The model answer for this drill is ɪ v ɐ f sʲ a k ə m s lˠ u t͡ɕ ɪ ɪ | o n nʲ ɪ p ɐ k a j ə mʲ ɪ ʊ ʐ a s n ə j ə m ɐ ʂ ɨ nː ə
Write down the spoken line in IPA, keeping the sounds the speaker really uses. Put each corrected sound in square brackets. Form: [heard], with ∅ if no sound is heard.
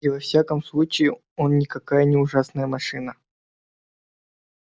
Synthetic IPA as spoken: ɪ v ɐ f sʲ a k ə m s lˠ u t͡ɕ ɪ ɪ | o n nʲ ɪ [k] ɐ k a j ə [nʲ] ɪ ʊ ʐ a s n ə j ə m ɐ ʂ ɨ [n] ə